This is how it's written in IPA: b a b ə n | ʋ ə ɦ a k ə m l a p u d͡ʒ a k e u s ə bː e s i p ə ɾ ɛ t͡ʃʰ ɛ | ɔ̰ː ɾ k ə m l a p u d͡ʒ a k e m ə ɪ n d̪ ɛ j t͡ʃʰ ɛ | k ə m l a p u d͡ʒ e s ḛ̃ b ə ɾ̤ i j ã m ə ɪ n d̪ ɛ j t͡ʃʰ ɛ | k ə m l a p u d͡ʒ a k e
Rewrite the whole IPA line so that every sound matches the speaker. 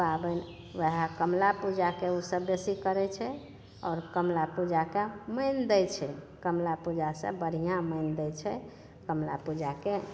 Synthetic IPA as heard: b a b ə n | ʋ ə ɦ a k ə m l a p u d͡ʒ a k e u s ə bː e s i k ə ɾ ɛ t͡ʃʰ ɛ | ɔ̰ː ɾ k ə m l a p u d͡ʒ a k e m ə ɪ n d̪ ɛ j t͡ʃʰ ɛ | k ə m l a p u d͡ʒ a s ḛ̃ b ə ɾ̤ i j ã m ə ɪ n d̪ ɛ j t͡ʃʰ ɛ | k ə m l a p u d͡ʒ a k e